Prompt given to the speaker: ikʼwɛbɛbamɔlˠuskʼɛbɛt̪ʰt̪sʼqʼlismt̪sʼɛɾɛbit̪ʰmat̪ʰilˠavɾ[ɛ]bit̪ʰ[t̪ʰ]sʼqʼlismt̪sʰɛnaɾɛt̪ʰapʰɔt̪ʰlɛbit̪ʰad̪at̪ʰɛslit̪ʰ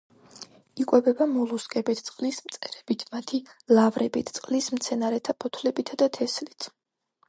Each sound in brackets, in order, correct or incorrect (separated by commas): correct, incorrect